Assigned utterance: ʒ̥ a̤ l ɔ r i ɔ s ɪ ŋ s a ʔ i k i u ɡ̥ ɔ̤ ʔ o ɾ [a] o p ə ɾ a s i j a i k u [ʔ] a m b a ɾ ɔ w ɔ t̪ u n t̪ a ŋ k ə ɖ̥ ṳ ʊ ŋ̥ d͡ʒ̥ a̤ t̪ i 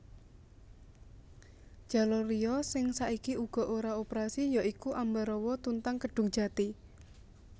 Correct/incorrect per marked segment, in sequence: correct, correct

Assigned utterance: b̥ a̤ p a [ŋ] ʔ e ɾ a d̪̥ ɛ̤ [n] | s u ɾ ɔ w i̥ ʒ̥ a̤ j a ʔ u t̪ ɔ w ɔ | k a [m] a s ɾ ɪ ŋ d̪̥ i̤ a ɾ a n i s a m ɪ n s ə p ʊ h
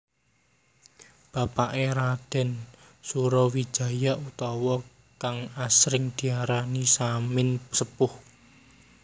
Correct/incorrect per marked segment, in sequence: incorrect: none, correct, incorrect: ŋ

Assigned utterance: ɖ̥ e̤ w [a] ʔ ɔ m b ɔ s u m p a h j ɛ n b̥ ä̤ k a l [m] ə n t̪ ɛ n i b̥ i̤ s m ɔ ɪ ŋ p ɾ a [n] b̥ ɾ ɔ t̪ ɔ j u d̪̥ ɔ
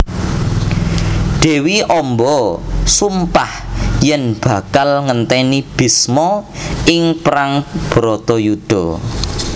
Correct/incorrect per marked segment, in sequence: incorrect: i, incorrect: ŋ, incorrect: ŋ

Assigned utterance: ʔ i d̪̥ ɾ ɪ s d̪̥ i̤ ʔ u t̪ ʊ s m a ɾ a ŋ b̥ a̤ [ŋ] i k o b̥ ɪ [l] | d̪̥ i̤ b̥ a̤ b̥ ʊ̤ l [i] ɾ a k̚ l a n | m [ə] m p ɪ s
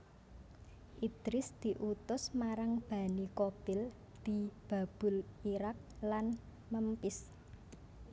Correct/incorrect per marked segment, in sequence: incorrect: n, correct, correct, correct

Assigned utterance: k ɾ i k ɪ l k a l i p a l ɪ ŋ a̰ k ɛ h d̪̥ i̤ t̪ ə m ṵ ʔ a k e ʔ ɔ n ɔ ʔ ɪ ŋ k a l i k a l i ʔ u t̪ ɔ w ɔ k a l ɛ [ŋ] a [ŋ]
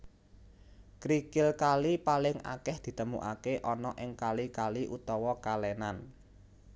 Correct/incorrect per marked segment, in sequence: incorrect: n, incorrect: n

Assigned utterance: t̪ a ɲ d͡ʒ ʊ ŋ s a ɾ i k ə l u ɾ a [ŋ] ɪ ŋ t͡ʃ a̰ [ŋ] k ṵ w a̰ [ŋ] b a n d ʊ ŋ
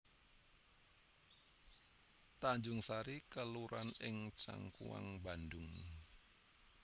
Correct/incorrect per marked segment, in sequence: incorrect: n, correct, correct

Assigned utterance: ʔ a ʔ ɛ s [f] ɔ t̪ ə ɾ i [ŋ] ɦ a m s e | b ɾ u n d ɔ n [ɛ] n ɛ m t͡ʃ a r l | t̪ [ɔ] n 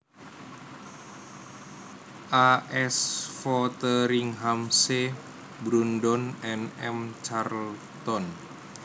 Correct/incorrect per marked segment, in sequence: correct, correct, correct, correct

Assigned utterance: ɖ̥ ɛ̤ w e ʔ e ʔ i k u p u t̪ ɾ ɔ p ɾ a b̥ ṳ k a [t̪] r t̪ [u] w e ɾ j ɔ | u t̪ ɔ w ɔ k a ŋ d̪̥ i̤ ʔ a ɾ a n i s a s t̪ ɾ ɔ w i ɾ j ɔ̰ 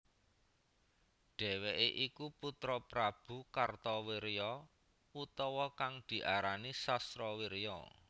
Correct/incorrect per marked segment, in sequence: incorrect: none, incorrect: ɔ

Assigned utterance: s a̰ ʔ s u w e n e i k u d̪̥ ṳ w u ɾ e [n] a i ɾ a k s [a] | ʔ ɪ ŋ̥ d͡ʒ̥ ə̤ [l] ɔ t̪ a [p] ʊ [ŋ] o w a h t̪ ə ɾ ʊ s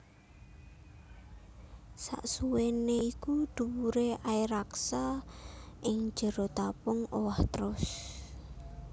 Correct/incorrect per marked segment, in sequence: incorrect: none, correct, incorrect: ɾ, correct, correct

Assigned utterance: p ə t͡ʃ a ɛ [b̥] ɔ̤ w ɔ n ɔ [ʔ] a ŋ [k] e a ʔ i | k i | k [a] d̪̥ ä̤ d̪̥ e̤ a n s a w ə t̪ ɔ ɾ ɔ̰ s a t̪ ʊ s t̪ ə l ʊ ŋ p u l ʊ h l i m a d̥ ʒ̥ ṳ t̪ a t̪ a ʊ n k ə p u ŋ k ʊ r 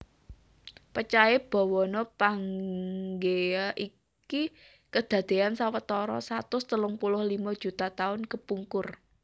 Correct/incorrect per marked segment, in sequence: correct, incorrect: p, incorrect: ɡ, incorrect: ə

